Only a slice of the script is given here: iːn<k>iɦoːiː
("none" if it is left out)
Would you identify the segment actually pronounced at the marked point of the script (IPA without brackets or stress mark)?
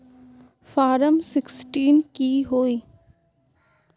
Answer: k